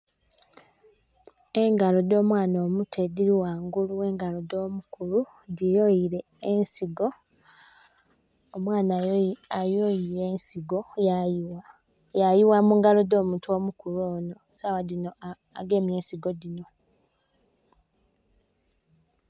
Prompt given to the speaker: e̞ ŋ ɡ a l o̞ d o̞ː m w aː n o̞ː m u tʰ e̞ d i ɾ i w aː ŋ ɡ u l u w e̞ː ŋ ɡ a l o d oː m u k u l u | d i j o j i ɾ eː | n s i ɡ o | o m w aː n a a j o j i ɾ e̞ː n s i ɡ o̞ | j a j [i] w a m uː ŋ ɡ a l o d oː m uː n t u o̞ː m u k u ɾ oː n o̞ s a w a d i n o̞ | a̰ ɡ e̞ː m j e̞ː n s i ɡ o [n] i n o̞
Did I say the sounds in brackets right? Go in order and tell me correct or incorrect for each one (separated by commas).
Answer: correct, incorrect